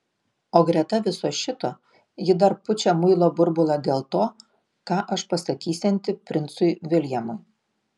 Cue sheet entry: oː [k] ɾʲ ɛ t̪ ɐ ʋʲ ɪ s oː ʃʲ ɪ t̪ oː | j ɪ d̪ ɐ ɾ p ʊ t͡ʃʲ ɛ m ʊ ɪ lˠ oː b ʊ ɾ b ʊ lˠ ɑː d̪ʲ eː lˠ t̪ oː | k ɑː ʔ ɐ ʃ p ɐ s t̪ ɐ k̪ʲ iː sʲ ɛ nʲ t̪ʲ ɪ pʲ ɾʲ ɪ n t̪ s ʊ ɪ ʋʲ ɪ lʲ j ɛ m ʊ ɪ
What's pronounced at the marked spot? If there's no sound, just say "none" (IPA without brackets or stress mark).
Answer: ɡ